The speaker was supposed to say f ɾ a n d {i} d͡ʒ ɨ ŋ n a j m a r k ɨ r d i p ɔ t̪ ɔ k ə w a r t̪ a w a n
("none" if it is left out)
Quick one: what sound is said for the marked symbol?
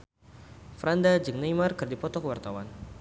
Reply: a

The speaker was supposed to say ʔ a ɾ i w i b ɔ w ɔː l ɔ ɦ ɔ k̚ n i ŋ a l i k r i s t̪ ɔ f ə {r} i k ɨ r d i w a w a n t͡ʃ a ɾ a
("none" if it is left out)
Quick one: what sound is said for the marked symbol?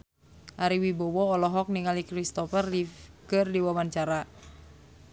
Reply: r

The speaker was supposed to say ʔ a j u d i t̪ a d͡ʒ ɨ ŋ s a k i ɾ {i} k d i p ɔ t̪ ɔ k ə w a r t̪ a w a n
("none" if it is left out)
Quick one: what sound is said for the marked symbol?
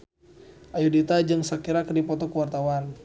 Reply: a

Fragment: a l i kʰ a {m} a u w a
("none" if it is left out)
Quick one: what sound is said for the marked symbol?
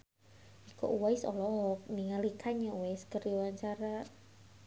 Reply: ɲ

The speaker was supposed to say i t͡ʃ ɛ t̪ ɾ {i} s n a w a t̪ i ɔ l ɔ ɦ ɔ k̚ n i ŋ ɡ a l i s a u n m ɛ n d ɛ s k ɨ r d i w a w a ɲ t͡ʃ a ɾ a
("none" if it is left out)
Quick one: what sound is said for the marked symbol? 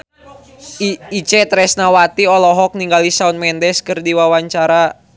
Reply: ɛ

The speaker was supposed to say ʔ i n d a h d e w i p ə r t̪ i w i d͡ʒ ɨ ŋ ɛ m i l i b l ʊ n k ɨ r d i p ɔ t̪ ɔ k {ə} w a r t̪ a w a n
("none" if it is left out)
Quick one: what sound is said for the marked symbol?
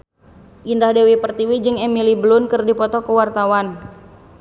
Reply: ə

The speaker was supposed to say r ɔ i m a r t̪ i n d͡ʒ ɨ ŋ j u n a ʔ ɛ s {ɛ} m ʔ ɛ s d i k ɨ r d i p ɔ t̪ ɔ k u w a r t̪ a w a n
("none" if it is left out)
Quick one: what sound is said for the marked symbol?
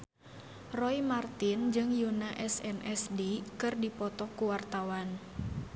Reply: ɛ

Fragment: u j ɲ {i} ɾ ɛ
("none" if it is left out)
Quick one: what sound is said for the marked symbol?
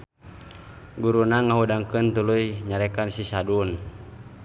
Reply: a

